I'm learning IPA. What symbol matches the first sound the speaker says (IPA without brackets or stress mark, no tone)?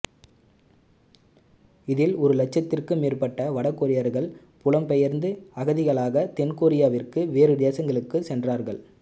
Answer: ɪ